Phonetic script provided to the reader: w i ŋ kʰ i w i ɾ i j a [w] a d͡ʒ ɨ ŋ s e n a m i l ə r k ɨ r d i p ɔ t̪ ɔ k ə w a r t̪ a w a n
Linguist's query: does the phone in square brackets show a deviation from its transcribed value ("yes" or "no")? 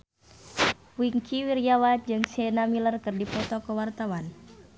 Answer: no